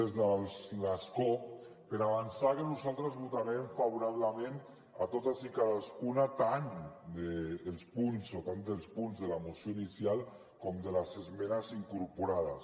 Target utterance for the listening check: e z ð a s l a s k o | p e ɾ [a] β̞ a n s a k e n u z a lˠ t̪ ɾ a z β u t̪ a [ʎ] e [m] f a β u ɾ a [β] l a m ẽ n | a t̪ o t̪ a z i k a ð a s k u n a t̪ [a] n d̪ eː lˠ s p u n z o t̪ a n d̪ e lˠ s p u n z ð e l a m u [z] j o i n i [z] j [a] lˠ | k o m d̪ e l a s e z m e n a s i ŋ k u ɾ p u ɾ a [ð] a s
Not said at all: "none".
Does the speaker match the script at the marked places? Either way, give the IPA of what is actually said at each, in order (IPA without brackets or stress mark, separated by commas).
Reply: a, ɾ, m, β, a, s, s, a, ð